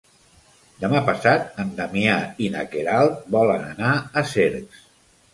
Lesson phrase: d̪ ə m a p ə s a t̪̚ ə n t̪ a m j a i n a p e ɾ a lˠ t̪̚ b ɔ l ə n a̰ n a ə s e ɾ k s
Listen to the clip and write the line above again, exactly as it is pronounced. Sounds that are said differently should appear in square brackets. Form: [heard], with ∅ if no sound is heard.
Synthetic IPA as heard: d̪ ə m a p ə s a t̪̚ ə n [d̪] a m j a i n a [k] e ɾ a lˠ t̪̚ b ɔ l ə n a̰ n a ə s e ɾ k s